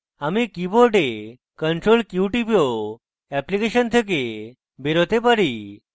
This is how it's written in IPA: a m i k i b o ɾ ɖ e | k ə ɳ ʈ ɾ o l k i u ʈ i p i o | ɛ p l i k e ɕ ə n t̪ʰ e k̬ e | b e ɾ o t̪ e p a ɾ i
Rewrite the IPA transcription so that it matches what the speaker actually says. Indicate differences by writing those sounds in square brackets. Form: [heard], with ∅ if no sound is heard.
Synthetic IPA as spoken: a m i k i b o ɾ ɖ e | k ə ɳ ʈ ɾ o l k [j] u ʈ i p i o | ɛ p l i k e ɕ ə n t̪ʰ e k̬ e | b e ɾ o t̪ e p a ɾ i